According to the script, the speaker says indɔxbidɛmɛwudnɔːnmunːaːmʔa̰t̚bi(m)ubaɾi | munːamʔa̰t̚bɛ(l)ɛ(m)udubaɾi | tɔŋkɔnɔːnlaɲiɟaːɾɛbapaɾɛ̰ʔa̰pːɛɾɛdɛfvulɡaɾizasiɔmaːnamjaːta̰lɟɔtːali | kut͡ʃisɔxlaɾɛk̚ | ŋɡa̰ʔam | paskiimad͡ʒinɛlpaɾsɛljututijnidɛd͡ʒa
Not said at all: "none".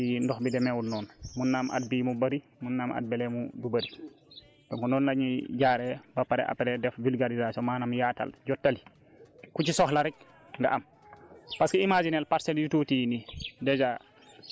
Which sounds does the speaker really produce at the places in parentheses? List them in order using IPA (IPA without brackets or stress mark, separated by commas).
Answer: m, l, m